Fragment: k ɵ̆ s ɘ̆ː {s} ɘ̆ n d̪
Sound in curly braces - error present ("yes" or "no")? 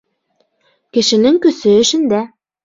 yes